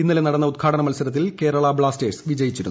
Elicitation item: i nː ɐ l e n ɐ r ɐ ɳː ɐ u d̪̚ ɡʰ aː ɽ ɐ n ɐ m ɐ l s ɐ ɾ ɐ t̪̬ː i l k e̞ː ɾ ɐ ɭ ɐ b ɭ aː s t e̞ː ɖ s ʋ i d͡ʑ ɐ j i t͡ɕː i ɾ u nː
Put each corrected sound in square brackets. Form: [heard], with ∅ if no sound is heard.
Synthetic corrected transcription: i nː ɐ l e n ɐ [ɽ] ɐ [nː] ɐ u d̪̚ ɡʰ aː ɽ ɐ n ɐ m ɐ l s ɐ ɾ ɐ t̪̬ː i l k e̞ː ɾ ɐ ɭ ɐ b ɭ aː s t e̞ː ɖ s ʋ i d͡ʑ ɐ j i t͡ɕː i ɾ u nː